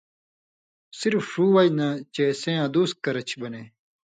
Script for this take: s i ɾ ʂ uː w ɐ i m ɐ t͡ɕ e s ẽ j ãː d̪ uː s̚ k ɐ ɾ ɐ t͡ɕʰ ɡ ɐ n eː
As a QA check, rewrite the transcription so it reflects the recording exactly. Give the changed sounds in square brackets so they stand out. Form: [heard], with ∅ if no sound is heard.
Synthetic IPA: s i ɾ [f] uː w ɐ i [n] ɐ t͡ɕ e s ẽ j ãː d̪ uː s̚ k ɐ ɾ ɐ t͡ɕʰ [b] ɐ n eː